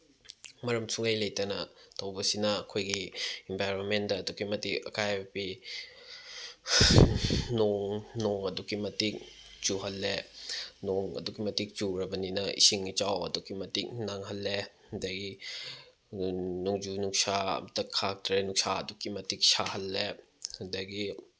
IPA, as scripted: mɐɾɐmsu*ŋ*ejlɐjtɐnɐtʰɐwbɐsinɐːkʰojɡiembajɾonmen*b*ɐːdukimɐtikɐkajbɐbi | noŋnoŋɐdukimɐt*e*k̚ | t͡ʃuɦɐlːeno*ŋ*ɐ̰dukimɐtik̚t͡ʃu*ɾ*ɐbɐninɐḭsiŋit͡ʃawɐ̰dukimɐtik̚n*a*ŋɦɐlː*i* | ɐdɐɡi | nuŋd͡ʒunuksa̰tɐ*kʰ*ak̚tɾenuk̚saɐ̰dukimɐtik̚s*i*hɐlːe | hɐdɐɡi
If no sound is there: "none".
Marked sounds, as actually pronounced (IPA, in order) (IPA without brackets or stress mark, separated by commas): ŋ, d, i, ŋ, ɾ, a, e, kʰ, a